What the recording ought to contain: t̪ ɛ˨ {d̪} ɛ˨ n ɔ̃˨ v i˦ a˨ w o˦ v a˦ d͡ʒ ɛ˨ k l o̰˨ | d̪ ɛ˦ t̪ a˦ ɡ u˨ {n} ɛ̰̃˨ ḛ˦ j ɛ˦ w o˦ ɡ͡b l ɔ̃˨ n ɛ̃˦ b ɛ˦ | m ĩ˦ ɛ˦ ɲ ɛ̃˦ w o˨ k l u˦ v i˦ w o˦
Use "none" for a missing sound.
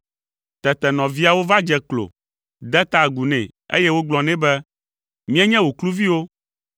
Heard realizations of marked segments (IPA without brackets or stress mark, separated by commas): t̪, n